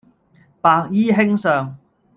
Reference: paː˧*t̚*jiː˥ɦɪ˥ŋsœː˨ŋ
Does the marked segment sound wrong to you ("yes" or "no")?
yes